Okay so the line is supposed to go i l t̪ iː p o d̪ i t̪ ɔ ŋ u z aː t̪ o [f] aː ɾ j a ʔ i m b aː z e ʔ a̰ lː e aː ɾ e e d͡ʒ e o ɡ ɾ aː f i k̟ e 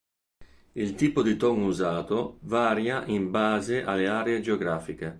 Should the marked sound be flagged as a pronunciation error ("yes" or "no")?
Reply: yes